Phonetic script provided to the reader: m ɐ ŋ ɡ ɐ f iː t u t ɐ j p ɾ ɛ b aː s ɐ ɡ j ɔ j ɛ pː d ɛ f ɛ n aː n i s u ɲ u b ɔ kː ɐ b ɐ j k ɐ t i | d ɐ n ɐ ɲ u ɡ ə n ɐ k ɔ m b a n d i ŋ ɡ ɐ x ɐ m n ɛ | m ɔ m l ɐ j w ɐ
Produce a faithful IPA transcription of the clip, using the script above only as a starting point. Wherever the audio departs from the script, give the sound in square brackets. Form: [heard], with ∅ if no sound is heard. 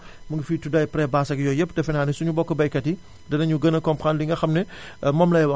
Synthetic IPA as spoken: m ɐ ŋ ɡ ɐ f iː t u [d] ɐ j p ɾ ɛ b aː s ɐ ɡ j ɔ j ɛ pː d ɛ f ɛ n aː n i s u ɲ u b ɔ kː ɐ b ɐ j k ɐ t i | d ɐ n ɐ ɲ u ɡ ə n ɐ k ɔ m [p] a n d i ŋ ɡ ɐ x ɐ m n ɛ | m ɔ m l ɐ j w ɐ